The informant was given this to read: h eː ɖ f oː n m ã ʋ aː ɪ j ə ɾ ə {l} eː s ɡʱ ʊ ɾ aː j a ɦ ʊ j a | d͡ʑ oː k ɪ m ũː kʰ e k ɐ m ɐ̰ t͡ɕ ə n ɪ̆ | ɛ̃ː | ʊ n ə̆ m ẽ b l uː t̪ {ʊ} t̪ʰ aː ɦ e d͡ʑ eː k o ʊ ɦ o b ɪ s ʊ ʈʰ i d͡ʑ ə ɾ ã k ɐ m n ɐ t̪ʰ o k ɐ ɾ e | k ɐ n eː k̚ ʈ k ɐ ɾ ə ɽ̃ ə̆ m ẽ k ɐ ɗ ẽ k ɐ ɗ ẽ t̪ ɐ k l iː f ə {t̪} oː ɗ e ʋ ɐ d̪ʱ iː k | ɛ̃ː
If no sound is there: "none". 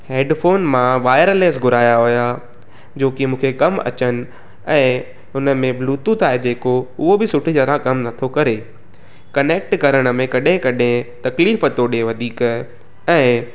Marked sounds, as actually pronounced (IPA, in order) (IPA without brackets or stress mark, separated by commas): l, u, t̪